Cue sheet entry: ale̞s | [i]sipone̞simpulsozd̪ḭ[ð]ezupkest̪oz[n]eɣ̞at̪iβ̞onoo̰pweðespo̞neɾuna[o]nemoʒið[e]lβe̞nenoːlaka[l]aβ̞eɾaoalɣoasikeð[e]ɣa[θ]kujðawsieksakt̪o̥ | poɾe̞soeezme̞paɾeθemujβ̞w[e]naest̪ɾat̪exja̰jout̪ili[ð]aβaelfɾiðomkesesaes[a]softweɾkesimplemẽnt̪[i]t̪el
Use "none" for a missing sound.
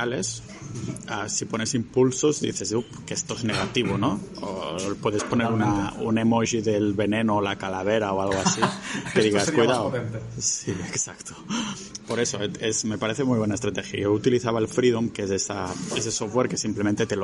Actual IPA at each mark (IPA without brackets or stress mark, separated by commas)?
a, θ, n, u, e, l, i, s, e, θ, e, e